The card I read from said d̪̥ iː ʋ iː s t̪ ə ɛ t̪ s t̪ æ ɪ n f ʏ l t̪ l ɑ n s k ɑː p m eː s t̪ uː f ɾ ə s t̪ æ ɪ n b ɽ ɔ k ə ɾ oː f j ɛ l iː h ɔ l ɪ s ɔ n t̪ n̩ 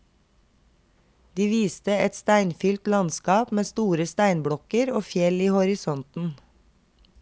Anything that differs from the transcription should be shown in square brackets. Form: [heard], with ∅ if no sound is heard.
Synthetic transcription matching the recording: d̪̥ iː ʋ iː s t̪ ə ɛ t̪ s t̪ æ ɪ n f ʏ l t̪ l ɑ n s k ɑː p m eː s t̪ uː [∅] ɾ ə s t̪ æ ɪ n b ɽ ɔ k ə ɾ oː f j ɛ l iː h ɔ [ɾ] ɪ s ɔ n t̪ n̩